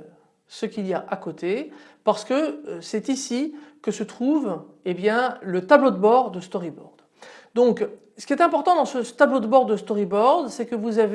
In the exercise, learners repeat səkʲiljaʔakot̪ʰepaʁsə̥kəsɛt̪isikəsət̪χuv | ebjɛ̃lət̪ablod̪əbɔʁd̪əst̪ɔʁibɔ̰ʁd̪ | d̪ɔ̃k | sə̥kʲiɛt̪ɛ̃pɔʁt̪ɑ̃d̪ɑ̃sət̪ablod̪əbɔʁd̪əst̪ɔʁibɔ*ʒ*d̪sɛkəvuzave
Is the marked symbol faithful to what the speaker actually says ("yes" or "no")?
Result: no